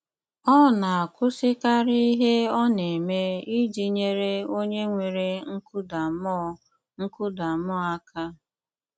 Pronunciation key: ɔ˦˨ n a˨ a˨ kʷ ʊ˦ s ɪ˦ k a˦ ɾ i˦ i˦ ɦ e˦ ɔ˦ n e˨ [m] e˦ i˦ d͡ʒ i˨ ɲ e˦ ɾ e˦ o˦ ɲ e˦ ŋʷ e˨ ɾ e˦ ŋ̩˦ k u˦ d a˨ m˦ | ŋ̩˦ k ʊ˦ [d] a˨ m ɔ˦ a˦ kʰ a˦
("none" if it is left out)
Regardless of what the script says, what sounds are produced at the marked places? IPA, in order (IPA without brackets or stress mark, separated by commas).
m, d